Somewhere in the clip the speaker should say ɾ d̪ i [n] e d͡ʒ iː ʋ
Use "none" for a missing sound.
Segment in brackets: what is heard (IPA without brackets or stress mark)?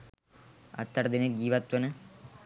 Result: n